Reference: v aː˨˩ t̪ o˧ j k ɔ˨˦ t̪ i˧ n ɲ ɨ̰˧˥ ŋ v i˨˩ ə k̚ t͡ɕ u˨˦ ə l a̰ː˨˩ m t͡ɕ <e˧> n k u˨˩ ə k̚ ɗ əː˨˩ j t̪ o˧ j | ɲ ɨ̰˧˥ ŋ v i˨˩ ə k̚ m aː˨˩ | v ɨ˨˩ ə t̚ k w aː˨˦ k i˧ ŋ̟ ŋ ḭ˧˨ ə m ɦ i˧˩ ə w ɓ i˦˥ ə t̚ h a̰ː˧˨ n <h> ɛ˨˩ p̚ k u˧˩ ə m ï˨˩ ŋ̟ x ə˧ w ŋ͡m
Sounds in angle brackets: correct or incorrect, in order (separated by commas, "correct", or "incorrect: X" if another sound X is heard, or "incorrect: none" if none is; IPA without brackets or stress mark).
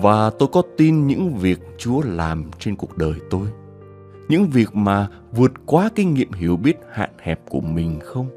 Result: correct, correct